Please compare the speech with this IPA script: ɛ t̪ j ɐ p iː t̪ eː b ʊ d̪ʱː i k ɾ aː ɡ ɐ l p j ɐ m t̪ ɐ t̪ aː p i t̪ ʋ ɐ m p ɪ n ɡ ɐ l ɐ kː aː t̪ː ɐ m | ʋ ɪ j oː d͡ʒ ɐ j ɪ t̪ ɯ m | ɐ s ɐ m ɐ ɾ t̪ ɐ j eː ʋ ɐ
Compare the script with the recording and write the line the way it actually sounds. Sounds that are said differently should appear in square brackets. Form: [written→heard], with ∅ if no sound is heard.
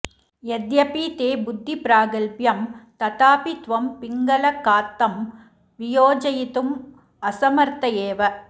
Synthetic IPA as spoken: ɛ [t̪→d̪] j ɐ p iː t̪ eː b ʊ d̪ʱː i [k→p] ɾ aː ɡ ɐ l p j ɐ m t̪ ɐ t̪ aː p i t̪ ʋ ɐ m p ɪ [n→ŋ] ɡ ɐ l ɐ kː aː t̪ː ɐ m | ʋ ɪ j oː d͡ʒ ɐ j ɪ t̪ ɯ m | ɐ s ɐ m ɐ ɾ t̪ ɐ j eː ʋ ɐ